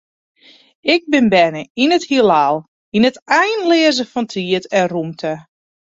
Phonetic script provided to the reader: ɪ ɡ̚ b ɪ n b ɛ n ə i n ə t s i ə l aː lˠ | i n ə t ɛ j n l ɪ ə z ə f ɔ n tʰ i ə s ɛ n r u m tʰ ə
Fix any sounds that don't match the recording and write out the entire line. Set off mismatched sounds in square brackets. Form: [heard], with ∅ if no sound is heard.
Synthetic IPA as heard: ɪ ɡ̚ b ɪ n b ɛ n ə i n ə t [h] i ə l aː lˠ | i n ə t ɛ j n l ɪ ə z ə f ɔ n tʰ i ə [t] ɛ n r u m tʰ ə